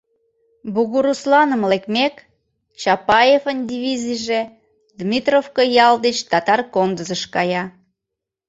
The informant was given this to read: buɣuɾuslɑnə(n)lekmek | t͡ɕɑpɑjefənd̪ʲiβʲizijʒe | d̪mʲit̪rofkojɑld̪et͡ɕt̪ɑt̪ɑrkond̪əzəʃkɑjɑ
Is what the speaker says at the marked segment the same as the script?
no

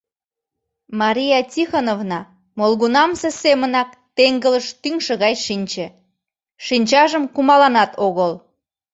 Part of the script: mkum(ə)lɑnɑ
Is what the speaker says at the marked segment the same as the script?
no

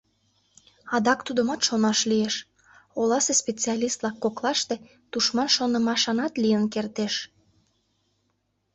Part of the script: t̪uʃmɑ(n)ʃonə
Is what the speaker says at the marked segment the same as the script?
yes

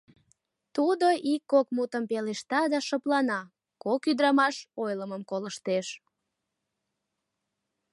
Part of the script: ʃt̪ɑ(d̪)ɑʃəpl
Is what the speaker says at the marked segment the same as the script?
yes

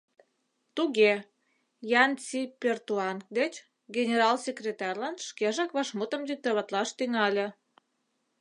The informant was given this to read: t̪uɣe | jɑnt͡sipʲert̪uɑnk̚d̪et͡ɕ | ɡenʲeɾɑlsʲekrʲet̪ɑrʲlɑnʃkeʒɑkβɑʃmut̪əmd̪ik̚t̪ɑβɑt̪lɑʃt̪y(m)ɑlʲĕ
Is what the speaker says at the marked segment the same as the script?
no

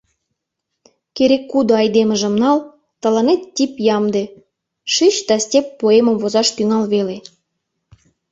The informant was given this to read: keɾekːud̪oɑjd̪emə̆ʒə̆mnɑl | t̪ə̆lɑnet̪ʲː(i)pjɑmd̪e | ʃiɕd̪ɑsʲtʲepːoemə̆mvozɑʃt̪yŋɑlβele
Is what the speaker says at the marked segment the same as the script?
yes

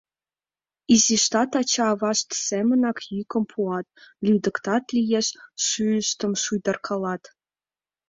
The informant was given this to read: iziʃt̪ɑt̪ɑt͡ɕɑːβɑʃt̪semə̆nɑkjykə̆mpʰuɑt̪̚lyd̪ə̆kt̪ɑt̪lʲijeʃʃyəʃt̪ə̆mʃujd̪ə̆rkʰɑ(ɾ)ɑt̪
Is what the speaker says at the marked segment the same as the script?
no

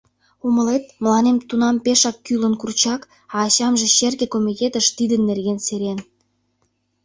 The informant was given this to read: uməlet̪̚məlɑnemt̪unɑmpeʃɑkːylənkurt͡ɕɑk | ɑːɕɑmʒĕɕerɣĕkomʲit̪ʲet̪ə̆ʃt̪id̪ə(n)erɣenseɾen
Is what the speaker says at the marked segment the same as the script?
no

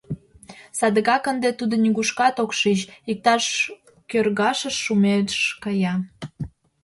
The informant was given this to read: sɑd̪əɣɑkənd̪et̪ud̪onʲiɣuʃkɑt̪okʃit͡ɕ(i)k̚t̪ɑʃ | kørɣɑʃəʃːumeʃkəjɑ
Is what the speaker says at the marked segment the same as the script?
yes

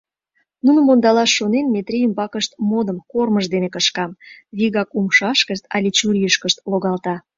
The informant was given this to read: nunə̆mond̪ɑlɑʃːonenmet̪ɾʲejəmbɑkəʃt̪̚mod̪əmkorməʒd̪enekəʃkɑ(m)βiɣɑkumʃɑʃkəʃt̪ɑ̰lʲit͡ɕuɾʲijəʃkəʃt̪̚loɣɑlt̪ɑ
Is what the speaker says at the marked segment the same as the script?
yes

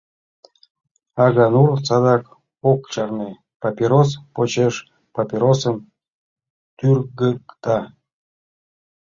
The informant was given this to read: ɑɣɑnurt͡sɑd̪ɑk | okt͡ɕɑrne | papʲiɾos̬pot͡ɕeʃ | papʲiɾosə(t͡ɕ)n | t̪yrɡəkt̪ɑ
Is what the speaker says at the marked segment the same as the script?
no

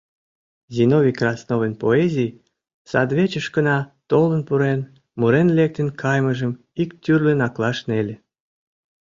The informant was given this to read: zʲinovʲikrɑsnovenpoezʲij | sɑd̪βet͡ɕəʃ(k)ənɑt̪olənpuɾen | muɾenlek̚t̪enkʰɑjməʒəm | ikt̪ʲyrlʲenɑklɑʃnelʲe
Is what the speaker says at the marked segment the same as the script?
yes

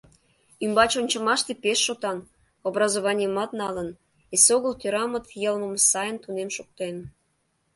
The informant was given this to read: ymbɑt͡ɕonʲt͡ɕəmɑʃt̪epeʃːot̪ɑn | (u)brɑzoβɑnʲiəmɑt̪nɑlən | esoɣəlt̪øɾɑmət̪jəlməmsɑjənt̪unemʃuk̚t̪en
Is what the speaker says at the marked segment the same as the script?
no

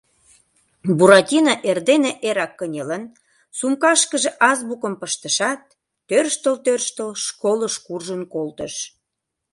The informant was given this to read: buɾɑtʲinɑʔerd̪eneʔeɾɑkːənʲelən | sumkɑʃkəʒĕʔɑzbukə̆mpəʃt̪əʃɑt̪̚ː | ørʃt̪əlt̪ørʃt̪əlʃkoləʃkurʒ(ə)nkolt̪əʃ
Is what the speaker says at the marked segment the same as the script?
yes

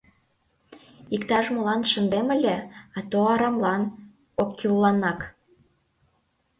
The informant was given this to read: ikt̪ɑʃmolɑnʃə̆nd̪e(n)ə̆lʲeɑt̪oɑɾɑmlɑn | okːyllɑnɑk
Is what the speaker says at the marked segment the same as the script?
no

